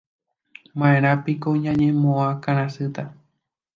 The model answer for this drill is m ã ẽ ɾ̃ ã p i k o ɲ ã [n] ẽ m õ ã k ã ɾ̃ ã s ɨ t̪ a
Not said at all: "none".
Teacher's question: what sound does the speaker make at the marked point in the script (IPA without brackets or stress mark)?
ɲ